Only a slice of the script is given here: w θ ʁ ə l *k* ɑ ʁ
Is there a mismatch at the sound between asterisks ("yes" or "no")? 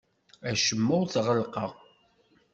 yes